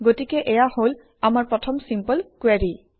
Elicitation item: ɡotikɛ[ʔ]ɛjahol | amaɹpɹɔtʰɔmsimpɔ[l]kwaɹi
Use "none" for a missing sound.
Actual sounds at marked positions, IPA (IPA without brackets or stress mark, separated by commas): ʔ, l